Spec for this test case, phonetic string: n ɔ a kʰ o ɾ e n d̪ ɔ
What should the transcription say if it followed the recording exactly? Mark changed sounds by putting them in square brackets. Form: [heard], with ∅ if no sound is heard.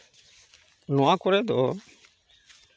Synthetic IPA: n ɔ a [k] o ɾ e [∅] d̪ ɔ